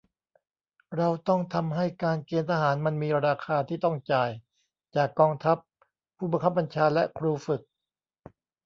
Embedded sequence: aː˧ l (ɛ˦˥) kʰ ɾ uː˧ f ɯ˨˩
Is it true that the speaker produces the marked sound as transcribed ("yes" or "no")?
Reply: yes